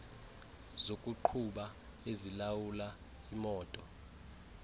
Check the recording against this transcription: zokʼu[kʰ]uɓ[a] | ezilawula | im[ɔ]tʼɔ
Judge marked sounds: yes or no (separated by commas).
no, yes, no